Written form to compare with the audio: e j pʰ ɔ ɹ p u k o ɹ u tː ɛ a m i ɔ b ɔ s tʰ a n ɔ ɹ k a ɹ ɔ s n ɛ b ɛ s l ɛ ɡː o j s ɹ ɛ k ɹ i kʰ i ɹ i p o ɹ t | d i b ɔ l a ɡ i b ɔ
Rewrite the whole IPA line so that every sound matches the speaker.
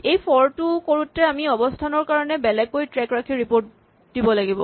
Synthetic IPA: e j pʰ ɔ ɹ t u k o ɹ u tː ɛ a m i ɔ b ɔ s tʰ a n ɔ ɹ k a ɹ ɔ n ɛ b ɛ l ɛ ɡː o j t ɹ ɛ k ɹ a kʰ i ɹ i p o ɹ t | d i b ɔ l a ɡ i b ɔ